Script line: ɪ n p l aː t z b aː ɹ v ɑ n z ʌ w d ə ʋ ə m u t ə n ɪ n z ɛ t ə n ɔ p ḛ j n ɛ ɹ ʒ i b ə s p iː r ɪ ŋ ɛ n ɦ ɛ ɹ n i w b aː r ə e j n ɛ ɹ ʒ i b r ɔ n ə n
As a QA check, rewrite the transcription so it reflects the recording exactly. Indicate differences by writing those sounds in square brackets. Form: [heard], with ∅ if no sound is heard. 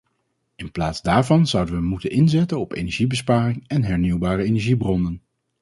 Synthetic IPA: ɪ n p l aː t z [d] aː ɹ v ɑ n z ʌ w d ə ʋ ə m u t ə n ɪ n z ɛ t ə n ɔ p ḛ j n ɛ ɹ ʒ i b ə s p [aː] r ɪ ŋ ɛ n ɦ ɛ ɹ n i w b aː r ə e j n ɛ ɹ ʒ i b r ɔ n ə n